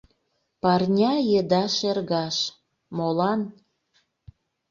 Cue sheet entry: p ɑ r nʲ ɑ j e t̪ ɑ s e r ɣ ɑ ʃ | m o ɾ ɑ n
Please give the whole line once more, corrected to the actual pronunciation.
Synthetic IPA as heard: p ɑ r nʲ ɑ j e d̪ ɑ ʃ e r ɣ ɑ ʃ | m o l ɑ n